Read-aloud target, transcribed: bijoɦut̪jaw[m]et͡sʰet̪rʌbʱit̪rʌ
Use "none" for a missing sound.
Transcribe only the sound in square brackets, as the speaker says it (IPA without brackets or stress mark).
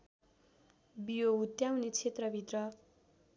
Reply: n